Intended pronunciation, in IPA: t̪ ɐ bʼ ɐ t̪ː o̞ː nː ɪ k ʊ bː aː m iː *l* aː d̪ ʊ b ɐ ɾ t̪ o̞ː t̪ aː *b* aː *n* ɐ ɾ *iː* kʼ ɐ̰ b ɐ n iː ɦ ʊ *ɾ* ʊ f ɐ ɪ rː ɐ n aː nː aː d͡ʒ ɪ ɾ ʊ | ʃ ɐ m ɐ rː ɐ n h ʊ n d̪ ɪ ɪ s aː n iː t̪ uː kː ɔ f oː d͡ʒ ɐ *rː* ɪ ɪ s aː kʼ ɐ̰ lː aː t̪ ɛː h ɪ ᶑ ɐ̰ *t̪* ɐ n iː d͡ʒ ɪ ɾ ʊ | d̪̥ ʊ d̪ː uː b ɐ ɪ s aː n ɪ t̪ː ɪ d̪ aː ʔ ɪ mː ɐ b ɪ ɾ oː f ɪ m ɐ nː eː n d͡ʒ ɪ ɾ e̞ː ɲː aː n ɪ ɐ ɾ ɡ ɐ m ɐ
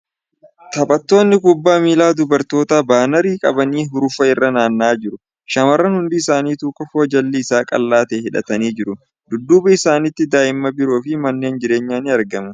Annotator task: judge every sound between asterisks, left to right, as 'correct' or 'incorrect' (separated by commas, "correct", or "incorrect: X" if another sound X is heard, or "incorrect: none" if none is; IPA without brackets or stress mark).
correct, correct, correct, correct, correct, incorrect: lː, correct